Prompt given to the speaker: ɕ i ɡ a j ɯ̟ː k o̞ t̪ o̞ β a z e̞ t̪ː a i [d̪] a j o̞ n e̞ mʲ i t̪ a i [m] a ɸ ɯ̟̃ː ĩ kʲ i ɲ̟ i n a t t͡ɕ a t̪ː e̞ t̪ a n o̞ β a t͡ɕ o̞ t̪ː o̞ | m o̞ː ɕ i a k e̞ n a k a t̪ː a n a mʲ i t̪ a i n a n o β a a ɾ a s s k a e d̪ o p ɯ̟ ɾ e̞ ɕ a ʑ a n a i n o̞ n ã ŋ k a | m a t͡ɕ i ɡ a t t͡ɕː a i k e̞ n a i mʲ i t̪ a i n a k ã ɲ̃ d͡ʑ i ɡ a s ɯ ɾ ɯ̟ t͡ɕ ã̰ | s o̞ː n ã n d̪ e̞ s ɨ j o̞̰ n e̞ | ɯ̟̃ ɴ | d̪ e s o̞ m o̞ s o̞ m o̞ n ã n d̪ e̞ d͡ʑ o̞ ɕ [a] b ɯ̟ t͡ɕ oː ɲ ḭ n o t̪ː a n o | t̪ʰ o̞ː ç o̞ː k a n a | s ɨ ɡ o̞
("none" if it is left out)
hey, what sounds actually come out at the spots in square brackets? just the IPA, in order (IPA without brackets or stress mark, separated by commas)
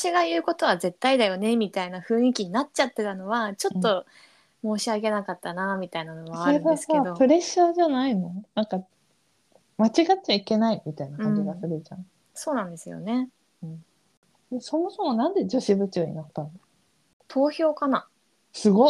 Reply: d̪, n, i